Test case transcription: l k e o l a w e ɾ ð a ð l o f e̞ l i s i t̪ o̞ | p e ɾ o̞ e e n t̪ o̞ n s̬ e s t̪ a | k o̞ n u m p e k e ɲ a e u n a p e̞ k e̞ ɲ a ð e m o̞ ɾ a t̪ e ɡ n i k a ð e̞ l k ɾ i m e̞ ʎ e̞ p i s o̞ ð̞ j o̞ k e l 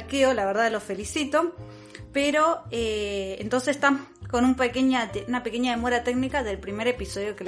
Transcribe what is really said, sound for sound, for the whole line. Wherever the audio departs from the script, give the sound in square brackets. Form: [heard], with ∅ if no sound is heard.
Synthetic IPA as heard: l k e o l a [β] e ɾ ð a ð l o f e̞ l i s i t̪ o̞ | p e ɾ o̞ e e n t̪ o̞ n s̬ e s t̪ a | k o̞ n u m p e k e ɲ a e u n a p e̞ k e̞ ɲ a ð e m o̞ ɾ a t̪ e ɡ n i k a ð e̞ l [p] ɾ i m e̞ [ɾ] e̞ p i s o̞ ð̞ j o̞ k e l